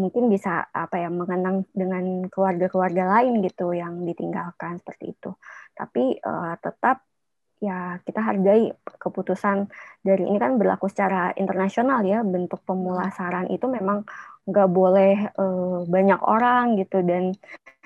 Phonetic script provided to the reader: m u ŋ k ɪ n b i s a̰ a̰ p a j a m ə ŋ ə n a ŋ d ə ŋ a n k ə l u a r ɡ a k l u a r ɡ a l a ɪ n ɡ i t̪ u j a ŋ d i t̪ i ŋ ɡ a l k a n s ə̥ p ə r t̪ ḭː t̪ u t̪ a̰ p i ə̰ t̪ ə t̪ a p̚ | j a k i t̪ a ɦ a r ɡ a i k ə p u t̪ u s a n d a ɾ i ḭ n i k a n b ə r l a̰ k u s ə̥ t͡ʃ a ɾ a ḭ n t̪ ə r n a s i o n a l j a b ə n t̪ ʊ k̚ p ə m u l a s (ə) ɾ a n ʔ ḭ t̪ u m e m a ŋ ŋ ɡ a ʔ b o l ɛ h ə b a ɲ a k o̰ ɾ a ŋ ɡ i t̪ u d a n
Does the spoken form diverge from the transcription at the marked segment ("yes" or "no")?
yes